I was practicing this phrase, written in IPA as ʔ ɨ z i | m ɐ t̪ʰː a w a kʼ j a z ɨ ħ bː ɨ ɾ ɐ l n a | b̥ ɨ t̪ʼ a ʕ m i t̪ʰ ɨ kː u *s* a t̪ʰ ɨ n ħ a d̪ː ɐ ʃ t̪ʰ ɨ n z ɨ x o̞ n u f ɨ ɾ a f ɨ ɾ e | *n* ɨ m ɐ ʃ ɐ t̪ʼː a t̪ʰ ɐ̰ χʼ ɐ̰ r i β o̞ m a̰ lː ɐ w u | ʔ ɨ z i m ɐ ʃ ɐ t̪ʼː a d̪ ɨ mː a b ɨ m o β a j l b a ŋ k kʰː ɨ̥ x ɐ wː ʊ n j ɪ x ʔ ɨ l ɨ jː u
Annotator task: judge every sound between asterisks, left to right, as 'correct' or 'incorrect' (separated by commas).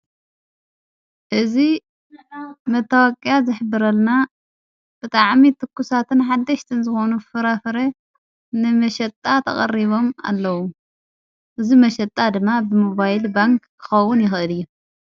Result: correct, correct